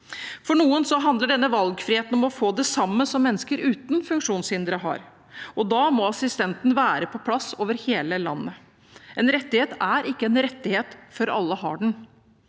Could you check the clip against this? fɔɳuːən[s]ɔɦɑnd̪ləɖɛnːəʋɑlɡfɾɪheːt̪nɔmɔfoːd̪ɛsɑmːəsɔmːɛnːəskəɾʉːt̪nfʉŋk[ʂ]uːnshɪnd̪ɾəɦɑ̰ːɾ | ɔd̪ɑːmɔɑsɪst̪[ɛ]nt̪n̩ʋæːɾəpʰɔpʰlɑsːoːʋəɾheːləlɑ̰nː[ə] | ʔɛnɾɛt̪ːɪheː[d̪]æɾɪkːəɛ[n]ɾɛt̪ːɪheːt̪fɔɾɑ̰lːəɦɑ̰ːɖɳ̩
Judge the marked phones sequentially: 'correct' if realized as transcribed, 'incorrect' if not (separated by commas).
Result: correct, correct, correct, correct, incorrect, correct